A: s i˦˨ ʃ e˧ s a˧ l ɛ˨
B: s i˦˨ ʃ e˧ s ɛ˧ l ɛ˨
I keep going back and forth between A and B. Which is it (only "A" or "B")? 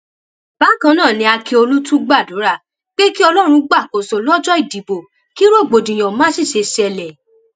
B